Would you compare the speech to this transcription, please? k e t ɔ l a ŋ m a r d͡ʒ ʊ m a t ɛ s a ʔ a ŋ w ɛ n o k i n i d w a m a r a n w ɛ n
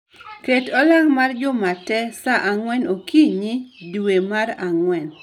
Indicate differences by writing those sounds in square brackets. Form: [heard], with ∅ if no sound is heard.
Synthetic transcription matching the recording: k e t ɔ l a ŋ m a r d͡ʒ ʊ m a t ɛ s a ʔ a ŋ w ɛ n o k i [ɲ] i d w [e] m a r a [ŋ] w ɛ n